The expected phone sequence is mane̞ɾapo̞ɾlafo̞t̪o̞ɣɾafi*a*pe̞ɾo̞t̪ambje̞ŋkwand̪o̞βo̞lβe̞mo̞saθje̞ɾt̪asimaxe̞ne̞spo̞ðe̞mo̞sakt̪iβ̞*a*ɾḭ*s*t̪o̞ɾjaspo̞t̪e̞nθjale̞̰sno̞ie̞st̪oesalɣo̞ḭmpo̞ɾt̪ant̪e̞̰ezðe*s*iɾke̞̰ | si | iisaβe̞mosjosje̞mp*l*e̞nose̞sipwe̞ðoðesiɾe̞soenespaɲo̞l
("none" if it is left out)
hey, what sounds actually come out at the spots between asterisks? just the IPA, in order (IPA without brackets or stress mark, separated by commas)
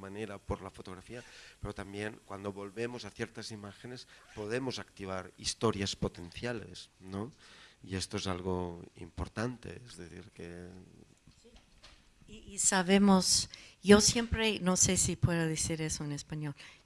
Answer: a, a, s, θ, ɾ